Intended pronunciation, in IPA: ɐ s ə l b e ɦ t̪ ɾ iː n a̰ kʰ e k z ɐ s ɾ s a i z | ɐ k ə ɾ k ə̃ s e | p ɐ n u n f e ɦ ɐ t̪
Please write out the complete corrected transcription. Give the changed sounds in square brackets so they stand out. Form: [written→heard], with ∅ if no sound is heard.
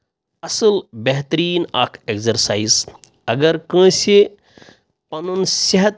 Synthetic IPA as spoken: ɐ s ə l b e ɦ t̪ ɾ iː n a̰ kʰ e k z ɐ [s→∅] ɾ s a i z | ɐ [k→ɡ] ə ɾ k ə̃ s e | p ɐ n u n [f→s] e ɦ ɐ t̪